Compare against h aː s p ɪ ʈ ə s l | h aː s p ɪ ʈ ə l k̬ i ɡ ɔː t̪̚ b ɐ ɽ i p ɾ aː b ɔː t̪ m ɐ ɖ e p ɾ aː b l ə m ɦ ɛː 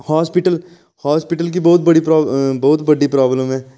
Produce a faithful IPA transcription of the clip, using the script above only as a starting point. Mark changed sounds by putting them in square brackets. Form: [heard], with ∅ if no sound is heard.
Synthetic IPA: h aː s p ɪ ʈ ə [∅] l | h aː s p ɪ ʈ ə l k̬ i [b] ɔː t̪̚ b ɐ ɽ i p ɾ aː b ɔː t̪ [b] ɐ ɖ [i] p ɾ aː b l ə m ɦ ɛː